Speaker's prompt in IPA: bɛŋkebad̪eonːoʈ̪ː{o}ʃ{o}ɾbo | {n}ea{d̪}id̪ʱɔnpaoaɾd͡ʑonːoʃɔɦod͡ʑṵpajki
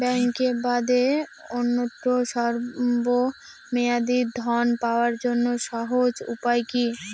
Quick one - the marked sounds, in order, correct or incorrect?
correct, incorrect: ɔ, incorrect: m, correct

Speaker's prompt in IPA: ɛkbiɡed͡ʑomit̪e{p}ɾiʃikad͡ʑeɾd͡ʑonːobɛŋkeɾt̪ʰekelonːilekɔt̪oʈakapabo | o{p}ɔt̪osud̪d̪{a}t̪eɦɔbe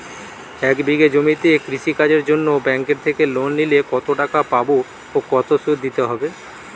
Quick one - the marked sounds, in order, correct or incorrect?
incorrect: k, incorrect: k, incorrect: i

